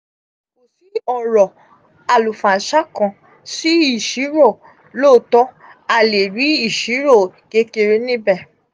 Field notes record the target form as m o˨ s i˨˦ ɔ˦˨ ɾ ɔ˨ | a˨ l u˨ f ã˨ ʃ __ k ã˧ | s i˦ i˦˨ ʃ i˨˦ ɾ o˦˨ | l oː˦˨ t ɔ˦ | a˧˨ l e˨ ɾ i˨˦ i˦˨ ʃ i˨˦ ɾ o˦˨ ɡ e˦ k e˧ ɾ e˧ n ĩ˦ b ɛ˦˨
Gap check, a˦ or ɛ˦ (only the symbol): a˦